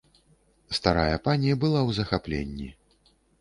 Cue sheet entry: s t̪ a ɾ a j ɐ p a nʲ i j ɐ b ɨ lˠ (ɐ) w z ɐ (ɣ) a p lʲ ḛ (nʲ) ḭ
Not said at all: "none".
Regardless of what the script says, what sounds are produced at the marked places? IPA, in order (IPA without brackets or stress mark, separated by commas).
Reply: a, x, nʲː